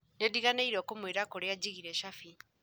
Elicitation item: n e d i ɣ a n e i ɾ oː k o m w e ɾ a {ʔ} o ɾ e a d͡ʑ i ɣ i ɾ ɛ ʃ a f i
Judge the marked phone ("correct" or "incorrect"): incorrect